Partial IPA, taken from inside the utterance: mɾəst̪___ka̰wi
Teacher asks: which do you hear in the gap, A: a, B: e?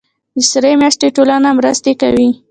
B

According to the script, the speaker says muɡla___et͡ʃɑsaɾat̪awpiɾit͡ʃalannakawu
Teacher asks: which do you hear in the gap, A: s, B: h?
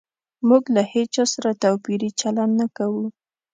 B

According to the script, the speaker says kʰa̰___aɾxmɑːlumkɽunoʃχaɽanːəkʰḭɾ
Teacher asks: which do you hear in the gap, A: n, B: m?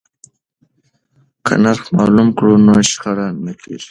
A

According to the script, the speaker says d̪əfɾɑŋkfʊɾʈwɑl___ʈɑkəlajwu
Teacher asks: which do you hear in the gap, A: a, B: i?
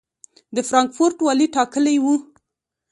B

